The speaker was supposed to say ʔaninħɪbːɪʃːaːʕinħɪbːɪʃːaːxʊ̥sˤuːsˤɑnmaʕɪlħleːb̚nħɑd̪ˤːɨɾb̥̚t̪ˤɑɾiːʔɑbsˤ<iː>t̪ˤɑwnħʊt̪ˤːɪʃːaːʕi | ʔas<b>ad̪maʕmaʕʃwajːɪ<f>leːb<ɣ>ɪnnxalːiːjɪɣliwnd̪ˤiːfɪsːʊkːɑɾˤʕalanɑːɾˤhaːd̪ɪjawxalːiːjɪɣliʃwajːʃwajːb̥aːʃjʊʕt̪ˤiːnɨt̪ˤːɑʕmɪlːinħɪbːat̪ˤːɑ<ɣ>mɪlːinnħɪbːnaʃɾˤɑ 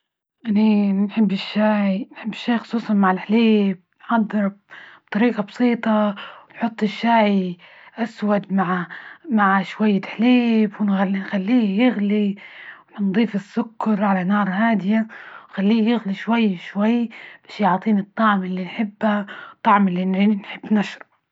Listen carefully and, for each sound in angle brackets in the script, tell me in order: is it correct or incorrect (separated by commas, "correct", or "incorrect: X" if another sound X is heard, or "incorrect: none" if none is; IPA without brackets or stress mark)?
correct, incorrect: w, incorrect: ħ, incorrect: w, incorrect: ʕ